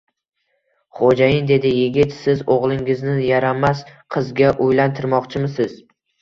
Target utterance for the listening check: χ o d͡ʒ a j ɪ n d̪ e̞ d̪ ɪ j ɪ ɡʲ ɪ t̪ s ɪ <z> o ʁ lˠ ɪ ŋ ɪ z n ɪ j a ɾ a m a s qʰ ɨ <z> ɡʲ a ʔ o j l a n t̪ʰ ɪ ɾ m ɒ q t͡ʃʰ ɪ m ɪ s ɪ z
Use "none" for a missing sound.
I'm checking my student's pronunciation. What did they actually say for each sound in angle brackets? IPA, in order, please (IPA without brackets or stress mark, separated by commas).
z, z